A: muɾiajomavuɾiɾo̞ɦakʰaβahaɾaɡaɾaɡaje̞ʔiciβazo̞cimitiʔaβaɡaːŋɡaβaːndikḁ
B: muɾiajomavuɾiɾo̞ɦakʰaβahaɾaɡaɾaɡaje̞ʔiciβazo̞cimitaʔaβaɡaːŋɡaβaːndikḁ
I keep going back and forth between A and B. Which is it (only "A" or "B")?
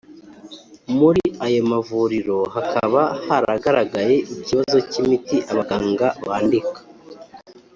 A